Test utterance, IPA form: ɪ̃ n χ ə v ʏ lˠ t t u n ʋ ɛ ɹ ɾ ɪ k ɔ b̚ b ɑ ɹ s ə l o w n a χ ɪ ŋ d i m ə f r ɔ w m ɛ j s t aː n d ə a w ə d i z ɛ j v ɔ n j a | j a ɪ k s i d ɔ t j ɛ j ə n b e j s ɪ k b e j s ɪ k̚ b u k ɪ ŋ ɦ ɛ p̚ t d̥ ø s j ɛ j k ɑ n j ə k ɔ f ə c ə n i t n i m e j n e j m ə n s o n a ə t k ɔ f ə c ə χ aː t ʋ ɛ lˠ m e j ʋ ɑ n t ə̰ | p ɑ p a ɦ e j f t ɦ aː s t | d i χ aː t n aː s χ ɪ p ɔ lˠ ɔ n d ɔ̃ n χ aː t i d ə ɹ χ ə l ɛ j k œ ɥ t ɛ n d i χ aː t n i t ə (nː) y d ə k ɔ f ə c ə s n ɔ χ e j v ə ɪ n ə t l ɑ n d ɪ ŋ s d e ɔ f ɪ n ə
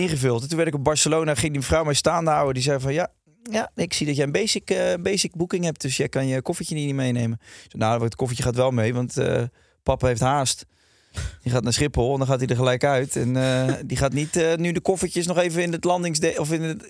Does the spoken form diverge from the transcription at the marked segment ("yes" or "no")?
yes